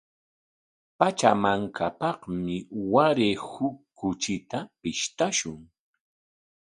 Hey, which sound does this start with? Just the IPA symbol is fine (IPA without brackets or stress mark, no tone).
p